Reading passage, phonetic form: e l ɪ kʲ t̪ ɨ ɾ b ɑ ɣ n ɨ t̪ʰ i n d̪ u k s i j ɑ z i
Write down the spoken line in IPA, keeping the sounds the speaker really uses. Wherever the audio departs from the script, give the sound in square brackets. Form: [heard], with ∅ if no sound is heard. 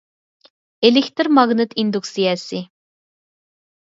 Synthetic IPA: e l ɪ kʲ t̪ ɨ ɾ [m] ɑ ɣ n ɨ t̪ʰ i n d̪ u k s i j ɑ [s] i